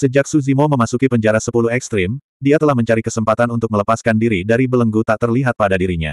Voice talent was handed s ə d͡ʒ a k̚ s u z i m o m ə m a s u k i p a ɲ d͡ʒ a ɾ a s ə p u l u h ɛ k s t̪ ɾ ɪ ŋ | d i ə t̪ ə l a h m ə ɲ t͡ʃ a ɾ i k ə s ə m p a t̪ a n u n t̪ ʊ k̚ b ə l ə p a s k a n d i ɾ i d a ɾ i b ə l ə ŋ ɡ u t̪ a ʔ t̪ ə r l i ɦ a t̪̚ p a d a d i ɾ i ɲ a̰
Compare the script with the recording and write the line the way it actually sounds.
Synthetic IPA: s ə d͡ʒ a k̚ s u z i m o m ə m a s u k i p ə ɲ d͡ʒ a ɾ a s ə p u l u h ɛ k s t̪ ɾ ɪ m | d i a t̪ ə l a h m ə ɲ t͡ʃ a ɾ i k ə s ə m p a t̪ a n u n t̪ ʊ k̚ m ə l ə p a s k a n d i ɾ i d a ɾ i b ə l ə ŋ ɡ u t̪ a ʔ t̪ ə r l i ɦ a t̪̚ p a d a d i ɾ i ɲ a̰